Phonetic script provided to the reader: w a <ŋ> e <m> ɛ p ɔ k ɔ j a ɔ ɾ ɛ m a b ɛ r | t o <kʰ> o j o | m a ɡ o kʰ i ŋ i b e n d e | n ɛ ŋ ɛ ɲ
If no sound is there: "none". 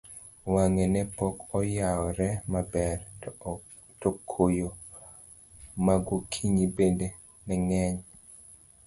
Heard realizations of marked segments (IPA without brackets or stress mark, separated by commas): ŋ, n, kʰ